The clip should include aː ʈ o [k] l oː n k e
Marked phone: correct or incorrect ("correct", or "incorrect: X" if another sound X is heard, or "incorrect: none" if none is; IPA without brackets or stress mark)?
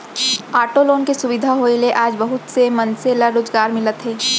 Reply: incorrect: none